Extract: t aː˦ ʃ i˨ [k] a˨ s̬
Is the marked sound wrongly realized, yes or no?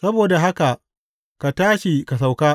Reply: no